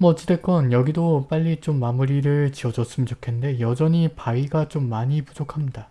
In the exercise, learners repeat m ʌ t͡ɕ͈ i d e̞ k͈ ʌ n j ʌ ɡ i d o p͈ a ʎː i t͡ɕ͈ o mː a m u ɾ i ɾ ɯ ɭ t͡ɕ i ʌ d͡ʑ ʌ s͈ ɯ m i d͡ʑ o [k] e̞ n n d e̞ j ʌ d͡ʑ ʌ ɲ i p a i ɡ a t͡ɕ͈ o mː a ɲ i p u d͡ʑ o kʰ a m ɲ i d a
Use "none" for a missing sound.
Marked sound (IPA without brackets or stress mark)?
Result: kʰ